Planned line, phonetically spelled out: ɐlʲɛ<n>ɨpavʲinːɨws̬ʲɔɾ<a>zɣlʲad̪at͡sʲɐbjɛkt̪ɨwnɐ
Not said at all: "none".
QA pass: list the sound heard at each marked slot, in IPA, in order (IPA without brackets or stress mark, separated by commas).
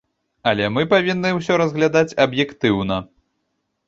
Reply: m, ɐ